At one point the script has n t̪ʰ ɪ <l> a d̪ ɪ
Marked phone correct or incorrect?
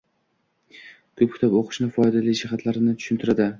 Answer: incorrect